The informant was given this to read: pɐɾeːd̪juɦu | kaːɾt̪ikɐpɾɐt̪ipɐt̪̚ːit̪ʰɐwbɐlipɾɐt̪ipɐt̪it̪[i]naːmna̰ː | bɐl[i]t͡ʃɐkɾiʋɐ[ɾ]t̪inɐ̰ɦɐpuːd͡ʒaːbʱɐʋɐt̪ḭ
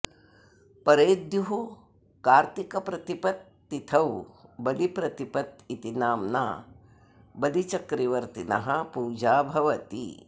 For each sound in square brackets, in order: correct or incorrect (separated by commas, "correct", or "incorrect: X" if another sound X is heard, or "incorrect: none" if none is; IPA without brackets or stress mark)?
correct, correct, correct